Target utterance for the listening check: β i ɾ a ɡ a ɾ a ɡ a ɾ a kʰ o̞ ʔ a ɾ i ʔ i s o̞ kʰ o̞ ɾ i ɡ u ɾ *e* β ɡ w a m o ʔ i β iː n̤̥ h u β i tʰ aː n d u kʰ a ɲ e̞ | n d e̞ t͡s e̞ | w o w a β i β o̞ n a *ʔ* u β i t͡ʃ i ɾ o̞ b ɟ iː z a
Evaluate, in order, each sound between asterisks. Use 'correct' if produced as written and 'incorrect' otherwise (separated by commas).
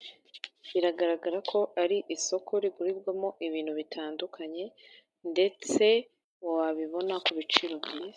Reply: incorrect, incorrect